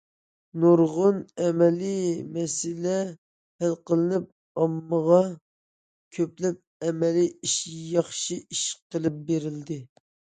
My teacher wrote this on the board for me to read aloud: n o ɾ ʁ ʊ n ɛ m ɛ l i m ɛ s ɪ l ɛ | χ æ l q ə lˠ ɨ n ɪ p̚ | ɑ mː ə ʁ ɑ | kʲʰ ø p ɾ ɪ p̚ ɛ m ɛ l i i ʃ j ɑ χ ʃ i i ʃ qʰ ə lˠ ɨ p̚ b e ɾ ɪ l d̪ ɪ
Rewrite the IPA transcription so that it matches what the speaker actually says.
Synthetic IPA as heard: n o ɾ ʁ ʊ n ɛ m ɛ l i m ɛ s ɪ l ɛ | h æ l q ə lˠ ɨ n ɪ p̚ | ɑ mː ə ʁ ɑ | kʲʰ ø p l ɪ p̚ ɛ m ɛ l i i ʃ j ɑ χ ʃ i i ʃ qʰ ə lˠ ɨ p̚ b e ɾ ɪ l d̪ ɪ